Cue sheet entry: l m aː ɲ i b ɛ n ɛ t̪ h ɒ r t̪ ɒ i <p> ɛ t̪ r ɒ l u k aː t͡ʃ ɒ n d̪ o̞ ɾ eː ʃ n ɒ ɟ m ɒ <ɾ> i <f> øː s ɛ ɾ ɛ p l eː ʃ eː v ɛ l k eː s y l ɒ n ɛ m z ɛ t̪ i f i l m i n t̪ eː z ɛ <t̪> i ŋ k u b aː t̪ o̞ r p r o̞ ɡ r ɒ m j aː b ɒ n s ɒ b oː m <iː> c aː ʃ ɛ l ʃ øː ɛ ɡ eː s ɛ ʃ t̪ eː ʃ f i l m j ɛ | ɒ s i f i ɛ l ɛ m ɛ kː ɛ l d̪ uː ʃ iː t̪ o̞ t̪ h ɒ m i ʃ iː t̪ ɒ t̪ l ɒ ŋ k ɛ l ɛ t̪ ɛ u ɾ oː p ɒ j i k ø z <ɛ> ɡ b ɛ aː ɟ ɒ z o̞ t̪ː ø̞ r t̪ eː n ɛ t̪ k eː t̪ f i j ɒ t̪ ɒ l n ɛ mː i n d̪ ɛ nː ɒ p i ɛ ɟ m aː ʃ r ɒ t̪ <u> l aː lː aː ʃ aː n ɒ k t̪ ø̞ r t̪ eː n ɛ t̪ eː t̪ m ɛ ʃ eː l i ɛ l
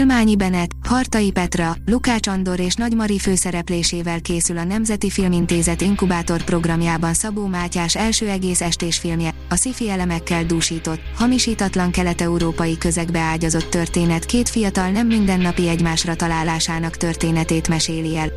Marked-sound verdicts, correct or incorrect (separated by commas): correct, correct, correct, correct, incorrect, correct, incorrect